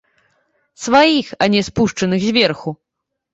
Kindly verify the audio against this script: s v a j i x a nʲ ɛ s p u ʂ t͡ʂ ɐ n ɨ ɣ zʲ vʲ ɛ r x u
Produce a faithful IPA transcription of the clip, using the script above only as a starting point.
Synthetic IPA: s v a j i x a nʲ ɛ s p u ʂ t͡ʂ ɐ n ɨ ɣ zʲ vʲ ɛ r x u